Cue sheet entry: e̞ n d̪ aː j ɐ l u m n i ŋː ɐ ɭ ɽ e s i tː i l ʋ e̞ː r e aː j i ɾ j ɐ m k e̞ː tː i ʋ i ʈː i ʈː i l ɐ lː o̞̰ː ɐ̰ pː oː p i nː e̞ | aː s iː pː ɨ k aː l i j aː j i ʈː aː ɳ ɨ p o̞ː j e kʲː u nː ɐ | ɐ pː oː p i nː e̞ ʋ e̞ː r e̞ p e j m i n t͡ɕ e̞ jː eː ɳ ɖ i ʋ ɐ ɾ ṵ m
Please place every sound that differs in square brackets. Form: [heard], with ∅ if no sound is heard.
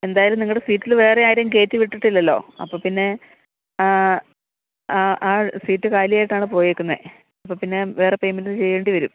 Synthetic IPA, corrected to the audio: e̞ n d̪ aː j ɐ l u m n i ŋː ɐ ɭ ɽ e s [iː] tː i l ʋ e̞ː r e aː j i ɾ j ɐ m k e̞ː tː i ʋ i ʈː i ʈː i [lː] ɐ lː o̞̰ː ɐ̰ pː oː p i nː e̞ | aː s iː [tː] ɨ k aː l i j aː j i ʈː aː ɳ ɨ p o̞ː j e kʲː u nː ɐ | ɐ pː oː p i nː e̞ ʋ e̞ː r e̞ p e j m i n t͡ɕ e̞ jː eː ɳ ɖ i ʋ ɐ ɾ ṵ m

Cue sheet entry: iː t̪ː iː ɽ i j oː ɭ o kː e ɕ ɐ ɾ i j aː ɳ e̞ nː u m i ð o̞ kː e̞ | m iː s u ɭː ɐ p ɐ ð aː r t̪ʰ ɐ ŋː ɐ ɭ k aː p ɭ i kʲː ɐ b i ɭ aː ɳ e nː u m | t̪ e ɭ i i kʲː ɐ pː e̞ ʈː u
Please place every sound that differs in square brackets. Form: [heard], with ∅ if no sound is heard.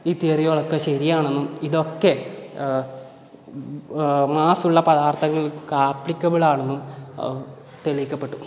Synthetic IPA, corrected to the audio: iː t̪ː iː [r] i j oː ɭ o kː e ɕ ɐ ɾ i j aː ɳ e̞ nː u m i ð o̞ kː e̞ | m [aː] s u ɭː ɐ p ɐ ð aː r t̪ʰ ɐ ŋː ɐ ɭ k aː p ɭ i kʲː ɐ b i ɭ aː ɳ e nː u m | t̪ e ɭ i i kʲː ɐ pː e̞ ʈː u

